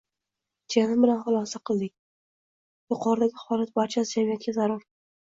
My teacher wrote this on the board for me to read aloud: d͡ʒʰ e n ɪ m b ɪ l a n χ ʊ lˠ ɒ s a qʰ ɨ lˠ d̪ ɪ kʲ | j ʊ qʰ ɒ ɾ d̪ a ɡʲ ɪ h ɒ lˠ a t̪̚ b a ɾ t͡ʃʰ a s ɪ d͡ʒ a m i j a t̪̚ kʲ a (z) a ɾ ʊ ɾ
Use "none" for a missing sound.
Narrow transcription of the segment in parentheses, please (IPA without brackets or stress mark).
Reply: z